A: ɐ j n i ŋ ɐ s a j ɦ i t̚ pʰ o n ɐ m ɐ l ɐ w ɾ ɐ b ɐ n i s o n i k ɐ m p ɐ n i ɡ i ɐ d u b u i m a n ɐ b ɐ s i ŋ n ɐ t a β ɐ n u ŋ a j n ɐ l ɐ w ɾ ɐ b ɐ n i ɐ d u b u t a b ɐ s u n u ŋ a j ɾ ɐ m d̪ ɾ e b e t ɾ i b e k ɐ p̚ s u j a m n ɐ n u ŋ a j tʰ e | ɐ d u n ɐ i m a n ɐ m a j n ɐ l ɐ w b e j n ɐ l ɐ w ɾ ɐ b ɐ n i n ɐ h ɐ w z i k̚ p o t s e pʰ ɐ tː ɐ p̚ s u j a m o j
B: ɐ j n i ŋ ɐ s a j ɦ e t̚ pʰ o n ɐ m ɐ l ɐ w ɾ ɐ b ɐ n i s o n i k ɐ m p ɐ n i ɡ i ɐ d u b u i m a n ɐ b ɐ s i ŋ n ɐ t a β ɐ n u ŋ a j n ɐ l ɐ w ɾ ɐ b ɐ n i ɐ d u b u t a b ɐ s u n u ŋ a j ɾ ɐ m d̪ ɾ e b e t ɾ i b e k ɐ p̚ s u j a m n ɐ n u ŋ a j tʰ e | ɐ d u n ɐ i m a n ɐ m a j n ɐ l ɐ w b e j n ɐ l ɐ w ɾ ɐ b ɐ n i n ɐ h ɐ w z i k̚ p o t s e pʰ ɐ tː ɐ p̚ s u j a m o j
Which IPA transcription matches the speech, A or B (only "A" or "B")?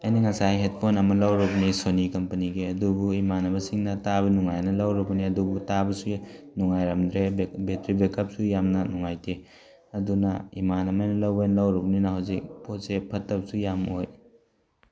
B